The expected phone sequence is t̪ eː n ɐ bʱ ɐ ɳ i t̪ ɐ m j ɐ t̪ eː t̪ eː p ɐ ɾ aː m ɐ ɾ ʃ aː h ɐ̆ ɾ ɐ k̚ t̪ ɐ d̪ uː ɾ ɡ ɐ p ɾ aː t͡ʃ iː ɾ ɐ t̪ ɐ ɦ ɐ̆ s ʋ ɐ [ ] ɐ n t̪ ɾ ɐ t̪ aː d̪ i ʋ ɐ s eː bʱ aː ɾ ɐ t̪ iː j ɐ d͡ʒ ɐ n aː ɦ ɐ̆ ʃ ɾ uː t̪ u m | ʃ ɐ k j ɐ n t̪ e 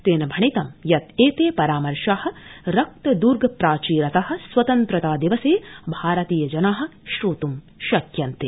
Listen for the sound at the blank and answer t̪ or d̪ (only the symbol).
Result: t̪